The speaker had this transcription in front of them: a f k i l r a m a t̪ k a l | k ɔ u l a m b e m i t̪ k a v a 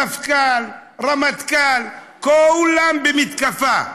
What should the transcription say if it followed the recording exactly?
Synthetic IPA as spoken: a f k a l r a m a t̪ k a l | k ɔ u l a m b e m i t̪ k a f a